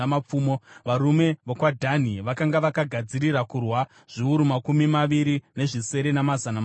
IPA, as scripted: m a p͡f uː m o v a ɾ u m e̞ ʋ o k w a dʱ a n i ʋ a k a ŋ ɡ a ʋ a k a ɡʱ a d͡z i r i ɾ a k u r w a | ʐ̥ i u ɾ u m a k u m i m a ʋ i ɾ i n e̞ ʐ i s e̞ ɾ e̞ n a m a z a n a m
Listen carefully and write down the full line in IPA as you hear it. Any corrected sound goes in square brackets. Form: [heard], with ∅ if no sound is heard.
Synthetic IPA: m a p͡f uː m o [ʋ] a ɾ u m e̞ ʋ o k w a dʱ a n i ʋ a k a ŋ ɡ a ʋ a k a ɡʱ a d͡z i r i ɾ a k u r w a | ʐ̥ i u ɾ u m a k u m i m a ʋ i ɾ i n e̞ ʐ i s e̞ ɾ e̞ n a m a z a n a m